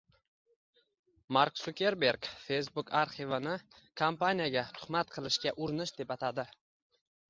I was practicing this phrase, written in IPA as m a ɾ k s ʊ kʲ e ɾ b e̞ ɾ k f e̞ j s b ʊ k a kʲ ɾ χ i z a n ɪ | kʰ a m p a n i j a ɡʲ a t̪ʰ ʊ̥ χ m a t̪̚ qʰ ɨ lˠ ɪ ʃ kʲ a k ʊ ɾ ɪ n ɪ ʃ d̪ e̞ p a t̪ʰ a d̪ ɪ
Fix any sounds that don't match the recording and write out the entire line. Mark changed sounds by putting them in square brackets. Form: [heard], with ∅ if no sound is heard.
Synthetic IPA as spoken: m a ɾ k s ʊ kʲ e ɾ b e̞ ɾ k f e̞ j s b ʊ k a [∅] ɾ χ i [v] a n ɪ | kʰ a m p a n i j a ɡʲ a t̪ʰ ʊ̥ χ m a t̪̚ qʰ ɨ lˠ ɪ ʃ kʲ a [ʔ] ʊ ɾ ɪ n ɪ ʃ d̪ e̞ p a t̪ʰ a d̪ ɪ